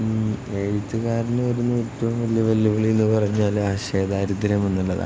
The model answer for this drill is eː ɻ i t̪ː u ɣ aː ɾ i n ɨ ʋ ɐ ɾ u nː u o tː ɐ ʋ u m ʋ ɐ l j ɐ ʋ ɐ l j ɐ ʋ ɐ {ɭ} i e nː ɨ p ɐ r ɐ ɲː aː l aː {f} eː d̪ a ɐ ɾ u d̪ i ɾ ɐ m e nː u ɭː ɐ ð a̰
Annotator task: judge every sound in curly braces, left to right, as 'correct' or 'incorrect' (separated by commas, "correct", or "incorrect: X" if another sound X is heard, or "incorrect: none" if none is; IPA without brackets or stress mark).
correct, incorrect: ɕ